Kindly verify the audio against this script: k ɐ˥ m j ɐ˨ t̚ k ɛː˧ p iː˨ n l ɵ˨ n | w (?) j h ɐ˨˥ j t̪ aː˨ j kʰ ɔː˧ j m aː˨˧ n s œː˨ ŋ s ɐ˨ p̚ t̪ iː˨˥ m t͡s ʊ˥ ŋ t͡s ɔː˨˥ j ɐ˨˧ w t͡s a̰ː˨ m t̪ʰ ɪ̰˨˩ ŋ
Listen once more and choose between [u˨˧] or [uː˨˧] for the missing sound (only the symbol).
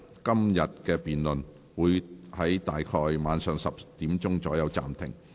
uː˨˧